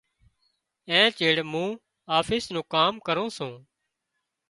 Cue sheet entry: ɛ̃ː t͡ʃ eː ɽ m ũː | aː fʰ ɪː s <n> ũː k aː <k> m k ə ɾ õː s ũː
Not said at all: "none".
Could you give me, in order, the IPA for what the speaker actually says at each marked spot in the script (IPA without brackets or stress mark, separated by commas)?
n, none